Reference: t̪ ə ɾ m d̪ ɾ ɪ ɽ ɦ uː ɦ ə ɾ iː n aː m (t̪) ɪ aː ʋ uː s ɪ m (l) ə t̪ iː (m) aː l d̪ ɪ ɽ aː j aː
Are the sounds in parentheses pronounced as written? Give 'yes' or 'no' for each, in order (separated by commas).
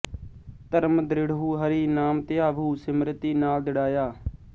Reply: yes, no, no